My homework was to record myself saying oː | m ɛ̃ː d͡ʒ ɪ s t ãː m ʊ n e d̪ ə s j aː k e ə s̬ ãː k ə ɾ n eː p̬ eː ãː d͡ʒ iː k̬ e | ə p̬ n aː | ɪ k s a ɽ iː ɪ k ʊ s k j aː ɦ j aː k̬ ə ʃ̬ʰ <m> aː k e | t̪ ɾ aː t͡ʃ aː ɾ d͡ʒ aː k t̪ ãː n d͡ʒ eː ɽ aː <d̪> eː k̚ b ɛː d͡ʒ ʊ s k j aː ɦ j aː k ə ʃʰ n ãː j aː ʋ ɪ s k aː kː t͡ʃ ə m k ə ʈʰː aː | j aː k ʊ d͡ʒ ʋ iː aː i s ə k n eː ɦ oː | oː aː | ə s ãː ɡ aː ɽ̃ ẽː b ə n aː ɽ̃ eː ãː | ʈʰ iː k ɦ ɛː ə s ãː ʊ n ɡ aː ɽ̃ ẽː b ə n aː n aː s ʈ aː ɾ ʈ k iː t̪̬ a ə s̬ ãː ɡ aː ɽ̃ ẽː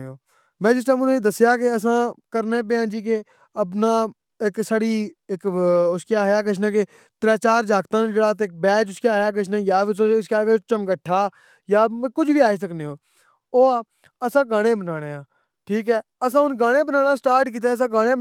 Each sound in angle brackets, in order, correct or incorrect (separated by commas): incorrect, incorrect